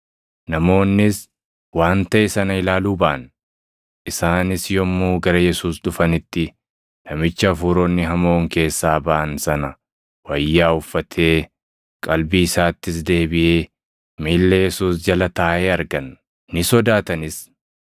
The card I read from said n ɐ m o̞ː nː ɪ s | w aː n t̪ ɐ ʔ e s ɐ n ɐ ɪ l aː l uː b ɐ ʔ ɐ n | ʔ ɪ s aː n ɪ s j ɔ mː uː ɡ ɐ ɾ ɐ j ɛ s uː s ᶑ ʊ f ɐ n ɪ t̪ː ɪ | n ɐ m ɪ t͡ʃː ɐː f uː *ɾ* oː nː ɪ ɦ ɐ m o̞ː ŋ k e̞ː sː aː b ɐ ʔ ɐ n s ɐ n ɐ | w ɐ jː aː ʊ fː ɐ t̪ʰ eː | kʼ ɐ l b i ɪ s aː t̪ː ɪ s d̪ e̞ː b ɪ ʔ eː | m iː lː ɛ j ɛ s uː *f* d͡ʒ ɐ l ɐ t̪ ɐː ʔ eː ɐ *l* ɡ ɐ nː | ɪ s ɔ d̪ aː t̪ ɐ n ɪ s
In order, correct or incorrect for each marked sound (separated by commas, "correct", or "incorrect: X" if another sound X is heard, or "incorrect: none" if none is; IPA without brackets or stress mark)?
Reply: correct, incorrect: s, incorrect: ɾ